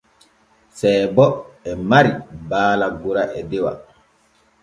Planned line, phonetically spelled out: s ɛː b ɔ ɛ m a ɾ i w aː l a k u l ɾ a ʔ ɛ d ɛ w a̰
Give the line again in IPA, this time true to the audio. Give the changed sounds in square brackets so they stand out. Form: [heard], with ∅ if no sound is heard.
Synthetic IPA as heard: s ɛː b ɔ ɛ m a ɾ i [b] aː l a [ɡ] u [∅] ɾ a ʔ ɛ d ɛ w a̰